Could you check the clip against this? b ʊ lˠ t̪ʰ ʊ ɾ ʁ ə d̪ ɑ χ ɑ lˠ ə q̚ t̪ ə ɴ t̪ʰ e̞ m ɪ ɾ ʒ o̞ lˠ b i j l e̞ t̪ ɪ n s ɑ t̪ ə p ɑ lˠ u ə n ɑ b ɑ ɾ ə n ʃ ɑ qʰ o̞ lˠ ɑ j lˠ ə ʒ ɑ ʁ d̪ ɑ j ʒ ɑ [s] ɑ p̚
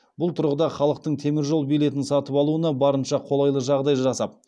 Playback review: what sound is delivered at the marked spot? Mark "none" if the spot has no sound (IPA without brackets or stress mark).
s